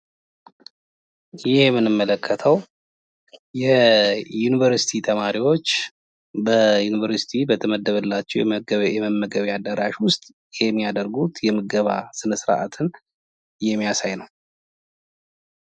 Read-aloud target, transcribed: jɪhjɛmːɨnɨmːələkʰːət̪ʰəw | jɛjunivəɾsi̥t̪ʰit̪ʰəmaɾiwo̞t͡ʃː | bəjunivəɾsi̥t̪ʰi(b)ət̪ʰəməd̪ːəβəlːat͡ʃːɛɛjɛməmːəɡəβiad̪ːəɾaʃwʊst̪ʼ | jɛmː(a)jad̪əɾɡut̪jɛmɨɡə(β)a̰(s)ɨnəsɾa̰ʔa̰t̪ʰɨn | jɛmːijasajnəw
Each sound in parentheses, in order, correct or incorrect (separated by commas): correct, incorrect, correct, correct